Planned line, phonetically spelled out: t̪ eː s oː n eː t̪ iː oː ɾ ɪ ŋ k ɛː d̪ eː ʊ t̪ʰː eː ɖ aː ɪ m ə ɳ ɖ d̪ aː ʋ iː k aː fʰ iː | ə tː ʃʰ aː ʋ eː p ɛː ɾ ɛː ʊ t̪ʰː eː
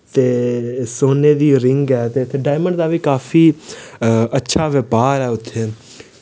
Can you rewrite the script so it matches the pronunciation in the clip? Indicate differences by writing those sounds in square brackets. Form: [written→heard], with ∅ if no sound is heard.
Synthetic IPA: t̪ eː s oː n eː [t̪→d̪] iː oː ɾ ɪ ŋ [k→ɡ] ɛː [d̪→t̪] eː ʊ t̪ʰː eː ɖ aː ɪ m ə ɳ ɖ d̪ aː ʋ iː k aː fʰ iː | ə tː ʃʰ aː ʋ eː p [ɛː→aː] ɾ ɛː ʊ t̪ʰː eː